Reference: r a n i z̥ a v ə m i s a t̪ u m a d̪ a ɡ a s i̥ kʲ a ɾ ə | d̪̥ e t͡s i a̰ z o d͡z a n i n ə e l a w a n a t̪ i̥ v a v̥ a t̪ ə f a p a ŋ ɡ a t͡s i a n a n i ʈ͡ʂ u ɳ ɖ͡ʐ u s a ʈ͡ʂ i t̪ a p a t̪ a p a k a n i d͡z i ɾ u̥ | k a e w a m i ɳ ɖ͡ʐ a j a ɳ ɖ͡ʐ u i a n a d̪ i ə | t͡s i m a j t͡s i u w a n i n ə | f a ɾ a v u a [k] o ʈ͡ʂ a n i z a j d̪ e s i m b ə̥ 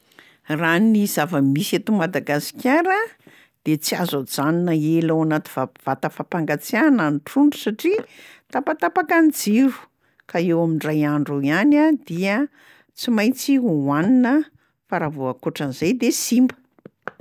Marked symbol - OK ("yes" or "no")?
yes